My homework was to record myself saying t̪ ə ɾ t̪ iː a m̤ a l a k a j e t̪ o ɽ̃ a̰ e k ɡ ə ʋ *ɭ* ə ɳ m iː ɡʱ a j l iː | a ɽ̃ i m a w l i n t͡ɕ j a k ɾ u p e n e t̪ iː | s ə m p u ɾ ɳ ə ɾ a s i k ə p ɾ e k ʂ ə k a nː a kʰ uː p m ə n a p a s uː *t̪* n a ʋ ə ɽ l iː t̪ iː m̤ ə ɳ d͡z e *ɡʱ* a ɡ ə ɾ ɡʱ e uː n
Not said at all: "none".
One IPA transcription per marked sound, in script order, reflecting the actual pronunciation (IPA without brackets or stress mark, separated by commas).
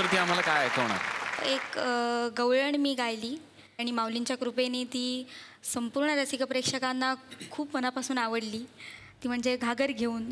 ɭ, none, ɡʱ